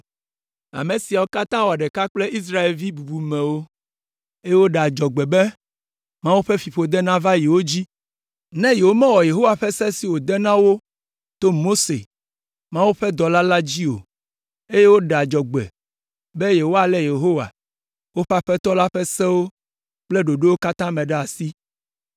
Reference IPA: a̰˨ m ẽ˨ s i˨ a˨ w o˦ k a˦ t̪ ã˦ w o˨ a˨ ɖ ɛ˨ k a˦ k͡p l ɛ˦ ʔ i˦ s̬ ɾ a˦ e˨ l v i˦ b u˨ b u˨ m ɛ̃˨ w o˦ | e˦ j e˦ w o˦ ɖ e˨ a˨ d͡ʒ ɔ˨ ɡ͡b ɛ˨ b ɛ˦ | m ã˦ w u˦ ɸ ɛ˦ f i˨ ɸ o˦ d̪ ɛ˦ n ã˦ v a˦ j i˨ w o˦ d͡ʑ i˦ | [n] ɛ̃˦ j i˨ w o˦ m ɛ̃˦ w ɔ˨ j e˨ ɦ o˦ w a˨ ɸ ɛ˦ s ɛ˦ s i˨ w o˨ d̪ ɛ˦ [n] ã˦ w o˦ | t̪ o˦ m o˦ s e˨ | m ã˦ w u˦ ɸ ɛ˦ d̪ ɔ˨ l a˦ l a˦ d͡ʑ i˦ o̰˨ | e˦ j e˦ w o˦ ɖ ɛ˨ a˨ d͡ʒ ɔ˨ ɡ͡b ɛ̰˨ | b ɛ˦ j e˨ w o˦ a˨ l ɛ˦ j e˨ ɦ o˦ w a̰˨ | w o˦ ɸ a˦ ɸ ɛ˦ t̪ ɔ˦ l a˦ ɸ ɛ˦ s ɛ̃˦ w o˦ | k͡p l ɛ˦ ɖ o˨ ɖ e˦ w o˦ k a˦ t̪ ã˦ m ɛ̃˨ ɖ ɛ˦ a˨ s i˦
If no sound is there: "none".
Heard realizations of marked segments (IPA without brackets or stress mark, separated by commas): n, n